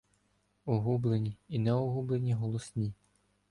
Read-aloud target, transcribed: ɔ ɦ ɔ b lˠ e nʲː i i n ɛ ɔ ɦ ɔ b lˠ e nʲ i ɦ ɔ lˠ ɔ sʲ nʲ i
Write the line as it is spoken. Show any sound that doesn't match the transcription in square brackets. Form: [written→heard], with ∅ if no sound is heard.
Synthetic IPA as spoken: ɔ ɦ [ɔ→u] b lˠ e [nʲː→nʲ] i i n ɛ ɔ ɦ [ɔ→u] b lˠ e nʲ i ɦ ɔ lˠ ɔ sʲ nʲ i